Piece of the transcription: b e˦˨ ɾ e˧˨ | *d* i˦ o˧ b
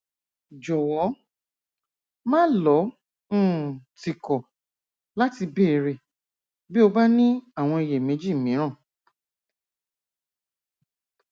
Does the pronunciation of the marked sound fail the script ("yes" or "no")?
yes